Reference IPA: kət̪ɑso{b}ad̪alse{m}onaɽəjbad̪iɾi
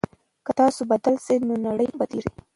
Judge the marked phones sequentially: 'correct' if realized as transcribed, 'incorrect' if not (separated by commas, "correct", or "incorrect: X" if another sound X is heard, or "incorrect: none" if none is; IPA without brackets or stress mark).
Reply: correct, incorrect: n